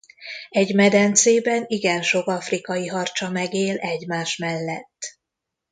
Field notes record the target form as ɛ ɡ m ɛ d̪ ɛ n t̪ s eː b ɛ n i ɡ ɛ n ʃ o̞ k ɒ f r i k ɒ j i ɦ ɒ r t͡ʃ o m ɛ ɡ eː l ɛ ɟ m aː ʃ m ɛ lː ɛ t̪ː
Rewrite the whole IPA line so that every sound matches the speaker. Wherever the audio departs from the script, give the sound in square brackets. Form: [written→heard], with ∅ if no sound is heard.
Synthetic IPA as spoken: ɛ [ɡ→ɟ] m ɛ d̪ ɛ n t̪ s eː b ɛ n i ɡ ɛ n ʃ o̞ k ɒ f r i k ɒ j i ɦ ɒ r t͡ʃ [o→ɒ] m ɛ ɡ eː l ɛ ɟ m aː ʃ m ɛ lː ɛ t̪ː